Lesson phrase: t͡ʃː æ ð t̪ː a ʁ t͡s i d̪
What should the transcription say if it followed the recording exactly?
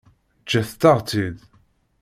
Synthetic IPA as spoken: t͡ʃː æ θ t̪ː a ʁ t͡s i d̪